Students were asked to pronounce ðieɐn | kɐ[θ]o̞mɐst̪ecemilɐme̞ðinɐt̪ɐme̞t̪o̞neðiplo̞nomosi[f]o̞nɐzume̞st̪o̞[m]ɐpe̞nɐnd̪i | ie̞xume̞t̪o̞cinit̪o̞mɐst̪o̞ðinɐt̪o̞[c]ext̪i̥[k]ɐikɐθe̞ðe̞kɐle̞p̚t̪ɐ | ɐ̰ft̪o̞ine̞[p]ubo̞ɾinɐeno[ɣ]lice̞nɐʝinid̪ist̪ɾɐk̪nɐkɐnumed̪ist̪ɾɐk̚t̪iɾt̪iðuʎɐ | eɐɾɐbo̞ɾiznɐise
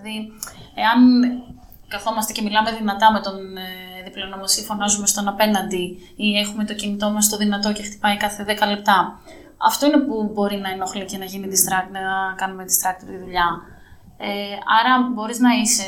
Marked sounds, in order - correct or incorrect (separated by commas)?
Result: correct, correct, incorrect, correct, incorrect, correct, incorrect